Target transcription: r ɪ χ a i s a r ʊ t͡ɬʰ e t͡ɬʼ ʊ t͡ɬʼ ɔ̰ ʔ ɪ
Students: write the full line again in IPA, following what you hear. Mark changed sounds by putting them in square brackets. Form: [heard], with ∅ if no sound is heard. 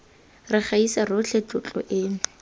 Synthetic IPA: r ɪ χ a i s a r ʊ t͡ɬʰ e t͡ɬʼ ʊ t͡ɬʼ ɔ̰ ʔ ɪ